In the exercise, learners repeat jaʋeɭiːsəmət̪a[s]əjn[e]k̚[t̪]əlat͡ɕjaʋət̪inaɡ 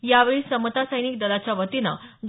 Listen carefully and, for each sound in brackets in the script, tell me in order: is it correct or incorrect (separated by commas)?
correct, incorrect, incorrect